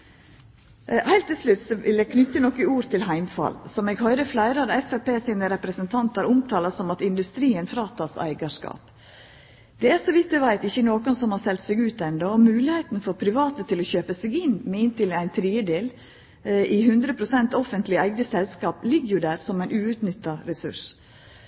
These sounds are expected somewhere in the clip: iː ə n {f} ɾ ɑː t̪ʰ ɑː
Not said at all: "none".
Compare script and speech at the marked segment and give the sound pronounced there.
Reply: f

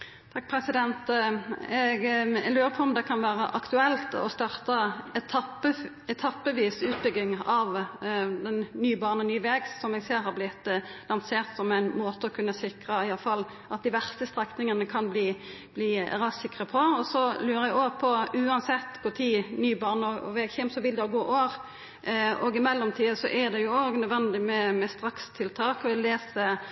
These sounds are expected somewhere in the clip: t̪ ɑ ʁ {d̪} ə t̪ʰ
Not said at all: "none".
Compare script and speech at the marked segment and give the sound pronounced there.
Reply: t̪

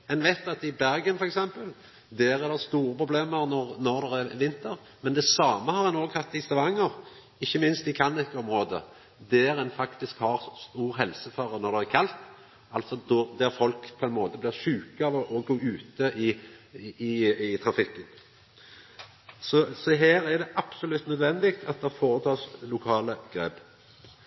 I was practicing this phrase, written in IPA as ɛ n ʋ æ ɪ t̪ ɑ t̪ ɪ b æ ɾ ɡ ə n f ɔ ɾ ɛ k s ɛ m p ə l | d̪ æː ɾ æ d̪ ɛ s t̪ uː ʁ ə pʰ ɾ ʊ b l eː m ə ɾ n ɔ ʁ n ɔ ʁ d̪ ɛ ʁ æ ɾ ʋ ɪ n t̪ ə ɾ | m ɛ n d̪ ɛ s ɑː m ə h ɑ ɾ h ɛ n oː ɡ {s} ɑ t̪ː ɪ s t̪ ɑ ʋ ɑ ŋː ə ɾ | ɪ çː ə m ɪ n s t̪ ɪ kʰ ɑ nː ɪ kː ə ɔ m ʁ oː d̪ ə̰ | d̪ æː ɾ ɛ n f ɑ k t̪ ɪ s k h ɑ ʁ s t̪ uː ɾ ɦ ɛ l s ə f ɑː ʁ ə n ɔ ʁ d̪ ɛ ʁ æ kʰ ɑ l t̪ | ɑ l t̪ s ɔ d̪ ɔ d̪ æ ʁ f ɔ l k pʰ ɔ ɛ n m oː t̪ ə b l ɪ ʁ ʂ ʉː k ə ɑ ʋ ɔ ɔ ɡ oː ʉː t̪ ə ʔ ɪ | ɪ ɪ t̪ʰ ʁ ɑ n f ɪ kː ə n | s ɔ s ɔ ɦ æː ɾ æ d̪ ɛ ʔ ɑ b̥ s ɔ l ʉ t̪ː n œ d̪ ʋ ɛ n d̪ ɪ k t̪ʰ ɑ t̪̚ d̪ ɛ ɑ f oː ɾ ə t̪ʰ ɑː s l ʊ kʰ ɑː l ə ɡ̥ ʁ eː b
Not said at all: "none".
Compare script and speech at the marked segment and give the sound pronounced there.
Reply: h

